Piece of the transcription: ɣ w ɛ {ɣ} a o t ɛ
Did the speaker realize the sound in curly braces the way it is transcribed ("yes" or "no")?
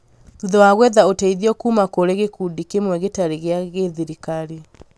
no